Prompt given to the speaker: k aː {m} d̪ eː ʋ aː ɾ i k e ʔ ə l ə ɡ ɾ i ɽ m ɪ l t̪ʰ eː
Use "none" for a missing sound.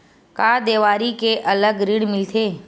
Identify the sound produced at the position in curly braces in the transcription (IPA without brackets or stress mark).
none